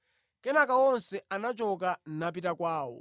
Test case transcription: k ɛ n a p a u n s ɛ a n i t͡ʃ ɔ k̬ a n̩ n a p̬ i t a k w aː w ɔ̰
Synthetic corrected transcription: k ɛ n a k a ɔ n s ɛ a n a t͡ʃ ɔ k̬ a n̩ n a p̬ i t a k w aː w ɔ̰

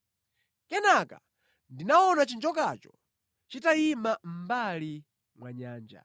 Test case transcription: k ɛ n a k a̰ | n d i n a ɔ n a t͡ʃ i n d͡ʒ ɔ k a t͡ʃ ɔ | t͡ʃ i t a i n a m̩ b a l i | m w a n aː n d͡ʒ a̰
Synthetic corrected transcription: k ɛ n a k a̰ | n d i n a ɔ n a t͡ʃ i n d͡ʒ ɔ k a t͡ʃ ɔ | t͡ʃ i t a i m a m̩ b a l i | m w a ɲ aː n d͡ʒ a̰

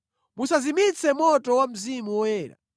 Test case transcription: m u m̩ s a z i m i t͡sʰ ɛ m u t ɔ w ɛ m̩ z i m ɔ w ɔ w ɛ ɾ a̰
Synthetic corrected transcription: m u s a z i m i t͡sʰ ɛ m ɔ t ɔ w a m̩ z i m u w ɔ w ɛː ɾ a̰

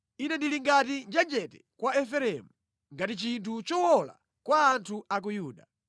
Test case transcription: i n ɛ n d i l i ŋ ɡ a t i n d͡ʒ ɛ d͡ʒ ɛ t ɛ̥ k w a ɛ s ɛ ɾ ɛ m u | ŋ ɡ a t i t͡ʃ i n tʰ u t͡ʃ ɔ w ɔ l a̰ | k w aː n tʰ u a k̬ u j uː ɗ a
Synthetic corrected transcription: i n ɛ n d i l i ŋ ɡ a t i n d͡ʒ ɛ d͡ʒ ɛ t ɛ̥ k w a ɛ f ɛ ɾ ɛ m u | ŋ ɡ a t i t͡ʃ i n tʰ u t͡ʃ ɔ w ɔ l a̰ | k w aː n tʰ u a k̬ u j uː ɗ a

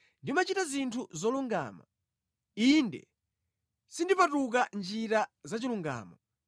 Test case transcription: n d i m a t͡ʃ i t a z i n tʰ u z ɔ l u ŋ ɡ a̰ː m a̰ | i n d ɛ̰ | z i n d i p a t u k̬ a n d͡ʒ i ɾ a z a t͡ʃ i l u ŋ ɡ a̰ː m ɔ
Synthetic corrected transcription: n d i m a t͡ʃ i t a z i n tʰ u z ɔ l u ŋ ɡ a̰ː m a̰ | i n d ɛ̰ | s i n d i p a t u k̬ a n d͡ʒ i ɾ a z a t͡ʃ i l u ŋ ɡ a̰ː m ɔ

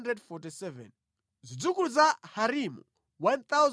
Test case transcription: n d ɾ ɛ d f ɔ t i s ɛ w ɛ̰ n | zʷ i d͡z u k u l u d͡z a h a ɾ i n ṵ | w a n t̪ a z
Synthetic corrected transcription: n d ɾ ɛ d f ɔ t i s ɛ v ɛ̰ n | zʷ i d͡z u k u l u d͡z a h a ɾ i m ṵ | w a n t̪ a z

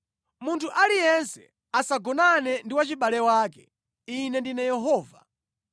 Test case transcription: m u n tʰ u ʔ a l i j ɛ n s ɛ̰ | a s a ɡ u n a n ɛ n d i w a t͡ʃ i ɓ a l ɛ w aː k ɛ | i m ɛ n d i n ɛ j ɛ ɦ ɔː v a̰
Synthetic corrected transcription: m u n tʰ u ʔ a l i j ɛ n s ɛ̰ | a s a ɡ ɔ n a n ɛ n d i w a t͡ʃ i ɓ a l ɛ w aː k ɛ | i n ɛ n d i n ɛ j ɛ ɦ ɔː v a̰

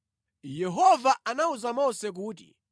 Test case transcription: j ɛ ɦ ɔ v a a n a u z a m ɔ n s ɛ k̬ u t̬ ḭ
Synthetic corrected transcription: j ɛ ɦ ɔ v a a n a u z a m ɔ s ɛ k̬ uː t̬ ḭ

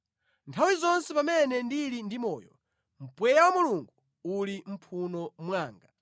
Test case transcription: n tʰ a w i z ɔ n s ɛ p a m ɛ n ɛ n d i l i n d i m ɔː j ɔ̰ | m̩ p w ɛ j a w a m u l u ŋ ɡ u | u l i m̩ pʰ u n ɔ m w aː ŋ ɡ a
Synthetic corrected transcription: n tʰ a w i z ɔ n s ɛ p a m ɛ n ɛ n d i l i n d i m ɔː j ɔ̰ | m̩ p w ɛ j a w a m u l u ŋ ɡ u | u l i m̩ pʰ u n ɔ m w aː ŋ ɡ a

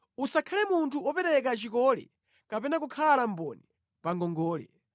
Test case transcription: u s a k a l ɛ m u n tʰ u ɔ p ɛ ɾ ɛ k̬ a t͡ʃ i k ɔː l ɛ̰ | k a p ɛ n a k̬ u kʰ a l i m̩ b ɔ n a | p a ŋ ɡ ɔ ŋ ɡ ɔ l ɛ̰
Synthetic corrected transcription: u s a kʰ a l ɛ m u n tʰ u ɔ p ɛ ɾ ɛ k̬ a t͡ʃ i k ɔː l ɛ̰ | k a p ɛ n a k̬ u kʰ a l a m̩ b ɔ n i | p a ŋ ɡ ɔ ŋ ɡ ɔː l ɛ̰

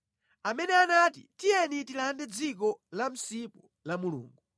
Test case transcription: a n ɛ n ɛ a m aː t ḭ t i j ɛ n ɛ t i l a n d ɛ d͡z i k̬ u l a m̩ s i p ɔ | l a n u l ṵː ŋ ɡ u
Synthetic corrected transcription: a m ɛ n ɛ a n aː t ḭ t i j ɛ n i t i l a n d ɛ d͡z i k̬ ɔ l a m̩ s i p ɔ | l a m u l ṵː ŋ ɡ u

